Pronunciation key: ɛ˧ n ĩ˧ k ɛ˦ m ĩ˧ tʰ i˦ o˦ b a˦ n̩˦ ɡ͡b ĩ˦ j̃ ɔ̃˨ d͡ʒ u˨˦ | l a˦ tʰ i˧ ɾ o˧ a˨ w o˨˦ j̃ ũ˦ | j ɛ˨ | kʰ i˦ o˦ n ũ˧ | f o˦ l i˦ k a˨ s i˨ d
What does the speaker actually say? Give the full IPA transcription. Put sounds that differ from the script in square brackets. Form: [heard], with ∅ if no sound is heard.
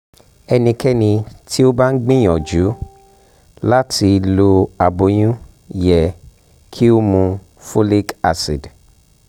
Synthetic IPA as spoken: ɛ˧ n ĩ˧ k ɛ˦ [n] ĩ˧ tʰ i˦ o˦ b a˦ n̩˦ ɡ͡b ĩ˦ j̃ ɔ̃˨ d͡ʒ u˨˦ | l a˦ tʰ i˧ [l] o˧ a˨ [b] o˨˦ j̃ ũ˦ | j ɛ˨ | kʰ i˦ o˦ [m] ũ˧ | f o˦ l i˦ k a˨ s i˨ d